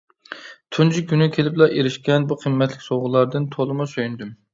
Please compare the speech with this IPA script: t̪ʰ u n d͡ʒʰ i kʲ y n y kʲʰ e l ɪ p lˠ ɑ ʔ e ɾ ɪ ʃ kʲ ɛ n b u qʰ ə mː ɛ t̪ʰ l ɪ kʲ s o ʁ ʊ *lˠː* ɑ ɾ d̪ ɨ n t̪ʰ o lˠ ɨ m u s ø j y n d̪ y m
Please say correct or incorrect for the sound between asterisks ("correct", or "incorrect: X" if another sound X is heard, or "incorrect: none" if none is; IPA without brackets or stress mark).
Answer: incorrect: lˠ